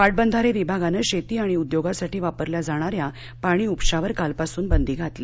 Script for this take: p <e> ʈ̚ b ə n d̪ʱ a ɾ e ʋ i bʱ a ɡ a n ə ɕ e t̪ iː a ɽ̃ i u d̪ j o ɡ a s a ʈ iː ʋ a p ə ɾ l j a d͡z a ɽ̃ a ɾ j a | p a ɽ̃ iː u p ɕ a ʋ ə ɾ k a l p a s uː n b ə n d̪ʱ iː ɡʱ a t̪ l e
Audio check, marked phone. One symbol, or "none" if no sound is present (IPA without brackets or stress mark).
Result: a